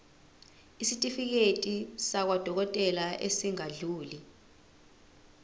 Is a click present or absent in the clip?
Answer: absent